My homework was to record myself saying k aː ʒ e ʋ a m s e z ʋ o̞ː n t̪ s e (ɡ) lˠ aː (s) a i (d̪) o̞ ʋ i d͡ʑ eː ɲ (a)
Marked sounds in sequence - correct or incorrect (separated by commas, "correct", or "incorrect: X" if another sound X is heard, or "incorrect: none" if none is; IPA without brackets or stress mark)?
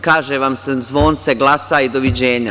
correct, correct, correct, correct